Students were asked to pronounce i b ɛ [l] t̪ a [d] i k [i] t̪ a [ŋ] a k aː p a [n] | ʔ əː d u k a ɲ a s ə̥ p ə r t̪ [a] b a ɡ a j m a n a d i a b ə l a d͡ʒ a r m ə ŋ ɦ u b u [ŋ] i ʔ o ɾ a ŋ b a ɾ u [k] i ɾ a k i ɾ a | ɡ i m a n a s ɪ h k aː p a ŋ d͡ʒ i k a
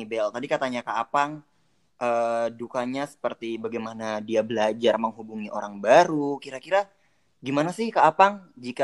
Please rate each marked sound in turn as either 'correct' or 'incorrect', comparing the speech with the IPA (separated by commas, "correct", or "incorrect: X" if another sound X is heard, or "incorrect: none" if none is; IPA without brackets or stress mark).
correct, correct, incorrect: a, incorrect: ɲ, incorrect: ŋ, incorrect: i, correct, correct